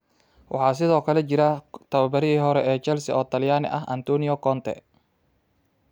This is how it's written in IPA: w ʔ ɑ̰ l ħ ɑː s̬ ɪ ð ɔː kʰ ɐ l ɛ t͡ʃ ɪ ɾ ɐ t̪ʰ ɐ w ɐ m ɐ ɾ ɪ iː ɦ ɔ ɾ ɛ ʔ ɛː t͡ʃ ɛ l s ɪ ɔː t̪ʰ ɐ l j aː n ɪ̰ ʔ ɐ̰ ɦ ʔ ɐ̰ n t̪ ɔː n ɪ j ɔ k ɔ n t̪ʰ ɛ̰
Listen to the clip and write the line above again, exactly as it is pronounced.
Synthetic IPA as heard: w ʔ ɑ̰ ħ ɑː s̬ ɪ ð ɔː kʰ ɐ l ɛ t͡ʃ ɪ ɾ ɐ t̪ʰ ɐ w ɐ b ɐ ɾ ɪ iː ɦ ɔ ɾ ɛ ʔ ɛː t͡ʃ ɛ l s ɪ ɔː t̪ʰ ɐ l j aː n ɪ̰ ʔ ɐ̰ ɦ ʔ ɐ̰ n t̪ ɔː n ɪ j ɔ k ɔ n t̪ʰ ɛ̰